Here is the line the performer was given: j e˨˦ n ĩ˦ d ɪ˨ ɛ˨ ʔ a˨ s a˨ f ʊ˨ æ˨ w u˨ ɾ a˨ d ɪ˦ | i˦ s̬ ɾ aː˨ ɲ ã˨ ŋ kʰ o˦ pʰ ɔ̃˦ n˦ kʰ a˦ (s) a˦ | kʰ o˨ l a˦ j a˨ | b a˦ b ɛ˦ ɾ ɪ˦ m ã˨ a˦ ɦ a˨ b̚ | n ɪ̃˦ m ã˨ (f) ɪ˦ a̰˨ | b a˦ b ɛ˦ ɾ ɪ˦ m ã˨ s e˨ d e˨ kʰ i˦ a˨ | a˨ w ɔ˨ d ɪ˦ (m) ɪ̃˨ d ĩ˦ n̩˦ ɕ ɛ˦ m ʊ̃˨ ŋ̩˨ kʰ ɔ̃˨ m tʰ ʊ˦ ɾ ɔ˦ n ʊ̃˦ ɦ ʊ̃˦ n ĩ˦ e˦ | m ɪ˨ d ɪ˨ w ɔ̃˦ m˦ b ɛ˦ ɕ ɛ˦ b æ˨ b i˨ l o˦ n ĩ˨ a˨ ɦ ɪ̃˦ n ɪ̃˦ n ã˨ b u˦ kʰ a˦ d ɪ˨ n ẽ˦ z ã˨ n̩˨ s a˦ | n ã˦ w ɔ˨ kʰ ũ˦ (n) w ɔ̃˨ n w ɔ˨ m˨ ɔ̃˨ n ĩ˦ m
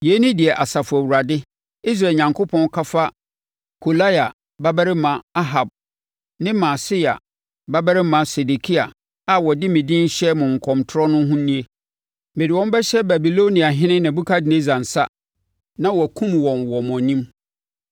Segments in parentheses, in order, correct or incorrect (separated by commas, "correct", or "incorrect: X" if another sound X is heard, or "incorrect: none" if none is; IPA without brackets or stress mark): incorrect: f, incorrect: s, correct, incorrect: m